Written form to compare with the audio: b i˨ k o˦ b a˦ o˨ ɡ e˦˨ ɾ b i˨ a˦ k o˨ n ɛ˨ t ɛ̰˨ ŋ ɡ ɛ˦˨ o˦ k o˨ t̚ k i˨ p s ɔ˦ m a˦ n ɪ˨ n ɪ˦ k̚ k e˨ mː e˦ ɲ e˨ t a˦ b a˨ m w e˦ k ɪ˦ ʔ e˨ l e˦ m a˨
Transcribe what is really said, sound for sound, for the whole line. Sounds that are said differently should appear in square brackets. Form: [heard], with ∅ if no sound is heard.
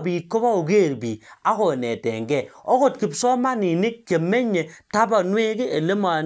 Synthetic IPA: b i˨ k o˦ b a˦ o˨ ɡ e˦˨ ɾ b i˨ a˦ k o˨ n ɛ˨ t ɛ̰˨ ŋ ɡ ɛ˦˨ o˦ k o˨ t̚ k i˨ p s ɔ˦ m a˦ n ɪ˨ n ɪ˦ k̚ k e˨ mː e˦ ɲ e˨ t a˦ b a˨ [n] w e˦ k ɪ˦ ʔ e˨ l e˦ m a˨